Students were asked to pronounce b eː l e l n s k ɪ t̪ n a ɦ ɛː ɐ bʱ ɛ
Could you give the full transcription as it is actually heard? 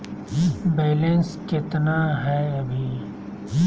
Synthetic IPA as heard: b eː l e n s k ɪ t̪ n a ɦ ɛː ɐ bʱ i